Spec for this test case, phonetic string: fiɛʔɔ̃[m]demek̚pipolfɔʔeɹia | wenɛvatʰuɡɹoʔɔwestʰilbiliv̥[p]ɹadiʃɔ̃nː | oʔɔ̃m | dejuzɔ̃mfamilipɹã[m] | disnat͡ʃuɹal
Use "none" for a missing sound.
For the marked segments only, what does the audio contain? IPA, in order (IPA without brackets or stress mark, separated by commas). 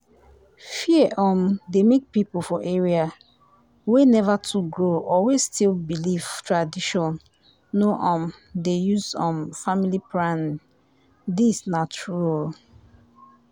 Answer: m, t, n